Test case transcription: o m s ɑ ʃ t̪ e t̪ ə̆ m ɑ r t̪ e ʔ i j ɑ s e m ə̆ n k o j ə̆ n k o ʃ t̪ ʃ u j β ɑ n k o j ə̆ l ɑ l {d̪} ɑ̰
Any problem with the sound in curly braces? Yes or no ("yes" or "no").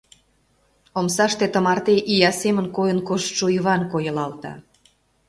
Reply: yes